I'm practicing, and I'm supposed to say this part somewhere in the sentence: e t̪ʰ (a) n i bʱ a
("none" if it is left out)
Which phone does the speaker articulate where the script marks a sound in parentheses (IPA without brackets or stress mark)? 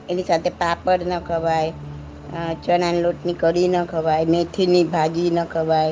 i